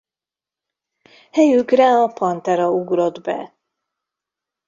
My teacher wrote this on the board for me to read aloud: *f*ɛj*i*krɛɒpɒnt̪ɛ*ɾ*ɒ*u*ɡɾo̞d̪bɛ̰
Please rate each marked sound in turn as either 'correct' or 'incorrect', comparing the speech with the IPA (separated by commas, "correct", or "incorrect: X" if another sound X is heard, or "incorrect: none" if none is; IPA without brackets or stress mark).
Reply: incorrect: h, incorrect: y, correct, correct